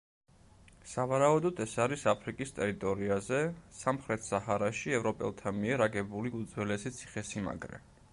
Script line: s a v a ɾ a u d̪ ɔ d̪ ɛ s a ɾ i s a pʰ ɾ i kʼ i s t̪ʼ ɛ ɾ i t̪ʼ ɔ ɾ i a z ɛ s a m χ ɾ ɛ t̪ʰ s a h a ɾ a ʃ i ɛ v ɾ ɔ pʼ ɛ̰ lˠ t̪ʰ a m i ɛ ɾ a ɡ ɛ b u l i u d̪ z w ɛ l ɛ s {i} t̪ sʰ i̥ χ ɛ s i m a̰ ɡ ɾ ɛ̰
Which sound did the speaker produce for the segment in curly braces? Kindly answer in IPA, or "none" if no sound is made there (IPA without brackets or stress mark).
i